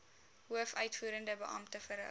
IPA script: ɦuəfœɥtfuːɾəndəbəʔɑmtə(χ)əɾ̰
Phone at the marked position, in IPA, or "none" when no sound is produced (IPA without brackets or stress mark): f